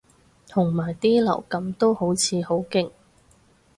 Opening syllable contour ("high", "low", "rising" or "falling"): low